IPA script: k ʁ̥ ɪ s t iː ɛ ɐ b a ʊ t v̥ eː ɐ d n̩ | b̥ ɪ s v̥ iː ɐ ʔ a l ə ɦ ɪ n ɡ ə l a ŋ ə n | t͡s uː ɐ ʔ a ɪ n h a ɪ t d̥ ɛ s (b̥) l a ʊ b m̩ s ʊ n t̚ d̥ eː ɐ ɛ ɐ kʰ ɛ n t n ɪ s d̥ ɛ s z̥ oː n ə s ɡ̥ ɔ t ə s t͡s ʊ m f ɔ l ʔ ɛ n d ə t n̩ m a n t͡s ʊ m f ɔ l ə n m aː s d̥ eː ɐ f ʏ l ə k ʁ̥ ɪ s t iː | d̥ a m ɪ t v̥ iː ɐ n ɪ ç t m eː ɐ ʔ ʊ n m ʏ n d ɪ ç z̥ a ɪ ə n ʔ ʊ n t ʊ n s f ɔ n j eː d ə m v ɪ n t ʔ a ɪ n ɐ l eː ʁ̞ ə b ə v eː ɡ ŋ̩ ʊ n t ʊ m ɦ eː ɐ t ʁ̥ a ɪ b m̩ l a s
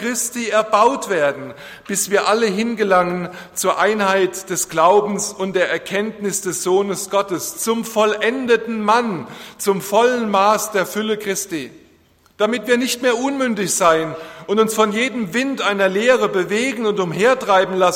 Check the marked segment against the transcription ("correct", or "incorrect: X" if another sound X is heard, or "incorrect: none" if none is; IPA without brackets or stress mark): incorrect: ɡ̥